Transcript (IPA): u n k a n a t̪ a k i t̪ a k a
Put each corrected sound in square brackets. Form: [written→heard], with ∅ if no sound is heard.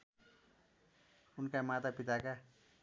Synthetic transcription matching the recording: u n k a [n→m] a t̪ a [k→p] i t̪ a k a

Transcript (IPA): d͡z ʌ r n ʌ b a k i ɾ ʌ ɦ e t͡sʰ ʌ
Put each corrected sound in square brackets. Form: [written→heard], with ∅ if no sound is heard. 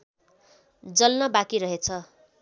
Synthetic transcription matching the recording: d͡z ʌ [r→l] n ʌ b a k i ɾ ʌ ɦ e t͡sʰ ʌ

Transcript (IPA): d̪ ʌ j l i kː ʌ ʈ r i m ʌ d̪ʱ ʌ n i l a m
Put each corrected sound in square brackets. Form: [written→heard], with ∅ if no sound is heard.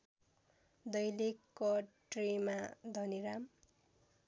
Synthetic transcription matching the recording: d̪ ʌ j l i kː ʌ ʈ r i m [ʌ→a] d̪ʱ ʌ n i [l→ɾ] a m

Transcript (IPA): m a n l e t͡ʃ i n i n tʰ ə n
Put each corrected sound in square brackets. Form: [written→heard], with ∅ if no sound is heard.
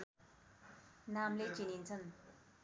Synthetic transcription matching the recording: [m→n] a [n→m] l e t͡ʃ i n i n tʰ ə n

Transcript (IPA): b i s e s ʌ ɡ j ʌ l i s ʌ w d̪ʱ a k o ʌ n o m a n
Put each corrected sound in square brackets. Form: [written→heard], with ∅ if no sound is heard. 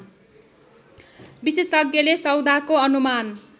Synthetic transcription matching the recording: b i s e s ʌ ɡ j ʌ l [i→e] s ʌ w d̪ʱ a k o ʌ n [o→u] m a n

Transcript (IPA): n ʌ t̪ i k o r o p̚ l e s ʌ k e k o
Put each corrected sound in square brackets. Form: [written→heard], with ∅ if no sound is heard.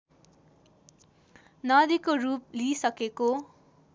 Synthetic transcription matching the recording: n ʌ [t̪→d̪] i k o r [o→u] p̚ l [e→i] s ʌ k e k o

